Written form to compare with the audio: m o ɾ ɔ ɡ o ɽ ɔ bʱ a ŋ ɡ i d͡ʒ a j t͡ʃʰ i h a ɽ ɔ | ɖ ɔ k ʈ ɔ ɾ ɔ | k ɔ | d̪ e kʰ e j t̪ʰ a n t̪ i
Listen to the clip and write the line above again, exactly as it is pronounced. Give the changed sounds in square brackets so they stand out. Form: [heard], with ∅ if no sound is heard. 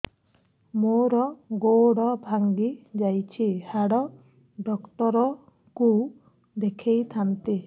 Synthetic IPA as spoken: m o ɾ ɔ ɡ o ɽ ɔ bʱ a ŋ ɡ i d͡ʒ a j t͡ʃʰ i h a ɽ ɔ | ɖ ɔ k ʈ ɔ ɾ ɔ | k [u] | d̪ e kʰ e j t̪ʰ a n t̪ i

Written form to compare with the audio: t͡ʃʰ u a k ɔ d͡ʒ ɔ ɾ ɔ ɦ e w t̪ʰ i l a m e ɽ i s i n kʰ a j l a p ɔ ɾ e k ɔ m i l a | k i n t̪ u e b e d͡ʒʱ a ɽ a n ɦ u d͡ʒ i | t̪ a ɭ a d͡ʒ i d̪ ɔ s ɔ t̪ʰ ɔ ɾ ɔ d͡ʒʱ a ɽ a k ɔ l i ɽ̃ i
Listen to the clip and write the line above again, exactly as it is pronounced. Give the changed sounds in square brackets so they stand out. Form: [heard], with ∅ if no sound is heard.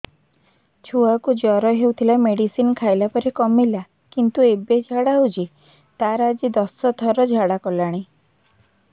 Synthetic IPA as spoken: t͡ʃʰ u a k [u] d͡ʒ ɔ ɾ ɔ ɦ e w t̪ʰ i l a m e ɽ i s i n kʰ a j l a p ɔ ɾ e k ɔ m i l a | k i n t̪ u e b e d͡ʒʱ a ɽ a [∅] ɦ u d͡ʒ i | t̪ a [ɾ] a d͡ʒ i d̪ ɔ s ɔ t̪ʰ ɔ ɾ ɔ d͡ʒʱ a ɽ a k ɔ l [a] ɽ̃ i

